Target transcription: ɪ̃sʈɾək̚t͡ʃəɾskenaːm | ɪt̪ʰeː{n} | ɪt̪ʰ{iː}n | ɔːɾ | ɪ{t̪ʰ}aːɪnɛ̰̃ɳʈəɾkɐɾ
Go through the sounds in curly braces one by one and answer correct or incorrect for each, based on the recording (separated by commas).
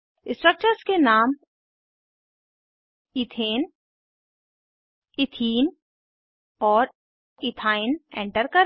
correct, correct, correct